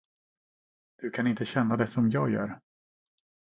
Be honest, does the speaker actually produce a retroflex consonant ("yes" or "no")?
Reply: no